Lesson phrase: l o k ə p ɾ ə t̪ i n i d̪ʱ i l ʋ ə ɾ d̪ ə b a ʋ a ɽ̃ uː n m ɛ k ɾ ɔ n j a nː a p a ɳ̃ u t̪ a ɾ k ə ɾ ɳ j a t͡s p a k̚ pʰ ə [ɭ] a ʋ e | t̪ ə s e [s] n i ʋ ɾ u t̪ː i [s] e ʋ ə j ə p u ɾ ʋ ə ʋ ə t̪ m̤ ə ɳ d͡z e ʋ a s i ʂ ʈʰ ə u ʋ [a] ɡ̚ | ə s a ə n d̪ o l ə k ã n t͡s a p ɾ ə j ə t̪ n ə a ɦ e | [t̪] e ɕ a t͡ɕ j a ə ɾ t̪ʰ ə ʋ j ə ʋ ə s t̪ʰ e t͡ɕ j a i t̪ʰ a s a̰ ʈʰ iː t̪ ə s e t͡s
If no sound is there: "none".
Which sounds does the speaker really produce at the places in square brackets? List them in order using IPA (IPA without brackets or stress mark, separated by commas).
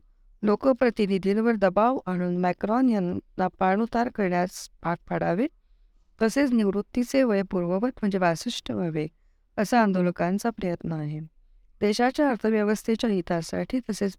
ɽ, t͡s, t͡s, e, d̪